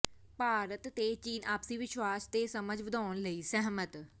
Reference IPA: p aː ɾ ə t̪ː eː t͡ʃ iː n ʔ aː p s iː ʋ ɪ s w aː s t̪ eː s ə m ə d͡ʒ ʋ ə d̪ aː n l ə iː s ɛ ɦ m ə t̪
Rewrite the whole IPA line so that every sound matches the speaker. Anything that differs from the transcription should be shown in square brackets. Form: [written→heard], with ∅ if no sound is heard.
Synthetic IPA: p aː ɾ ə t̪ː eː t͡ʃ iː n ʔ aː p s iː ʋ ɪ [s→ʃ] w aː s t̪ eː s ə m ə d͡ʒ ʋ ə d̪ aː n l ə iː s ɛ ɦ m ə t̪